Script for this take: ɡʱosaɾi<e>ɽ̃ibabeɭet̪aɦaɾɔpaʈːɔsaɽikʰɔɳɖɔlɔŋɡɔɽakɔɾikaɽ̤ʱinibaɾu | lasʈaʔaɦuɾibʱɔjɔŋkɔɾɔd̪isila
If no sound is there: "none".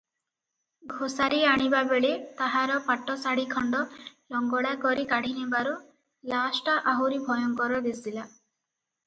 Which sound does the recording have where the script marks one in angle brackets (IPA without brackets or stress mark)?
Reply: a